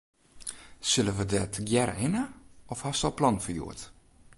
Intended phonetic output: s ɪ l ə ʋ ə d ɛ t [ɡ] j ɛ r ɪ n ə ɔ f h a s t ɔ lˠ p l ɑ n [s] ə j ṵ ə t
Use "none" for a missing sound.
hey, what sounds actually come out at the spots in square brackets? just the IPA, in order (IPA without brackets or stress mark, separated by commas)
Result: ɡ, f